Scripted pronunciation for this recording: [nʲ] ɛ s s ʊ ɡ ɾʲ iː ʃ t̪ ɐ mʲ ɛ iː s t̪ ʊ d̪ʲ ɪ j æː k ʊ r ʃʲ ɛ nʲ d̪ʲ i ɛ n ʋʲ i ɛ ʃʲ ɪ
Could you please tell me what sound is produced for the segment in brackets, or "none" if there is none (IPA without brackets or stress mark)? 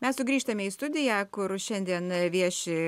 mʲ